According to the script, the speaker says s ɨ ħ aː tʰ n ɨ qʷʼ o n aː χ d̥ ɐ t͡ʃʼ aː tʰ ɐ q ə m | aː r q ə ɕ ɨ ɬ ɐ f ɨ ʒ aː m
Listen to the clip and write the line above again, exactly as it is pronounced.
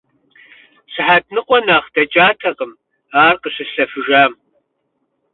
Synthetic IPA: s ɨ ħ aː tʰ n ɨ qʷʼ ɔ n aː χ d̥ ɐ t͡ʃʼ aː tʰ ɐ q ə m | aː r q ə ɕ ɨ ɬ ɐ f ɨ ʒ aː m

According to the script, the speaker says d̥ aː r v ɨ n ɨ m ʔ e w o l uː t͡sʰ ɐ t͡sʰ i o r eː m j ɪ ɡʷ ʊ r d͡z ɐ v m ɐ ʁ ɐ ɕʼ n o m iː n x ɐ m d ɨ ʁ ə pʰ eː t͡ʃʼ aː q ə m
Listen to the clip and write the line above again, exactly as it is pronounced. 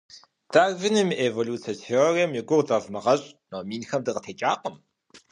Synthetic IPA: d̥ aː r v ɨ n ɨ m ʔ e v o l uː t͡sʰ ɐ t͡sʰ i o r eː m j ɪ ɡʷ ʊ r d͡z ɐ v m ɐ ʁ ɐ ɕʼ n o m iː n x ɐ m d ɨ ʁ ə tʰ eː t͡ʃʼ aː q ə m

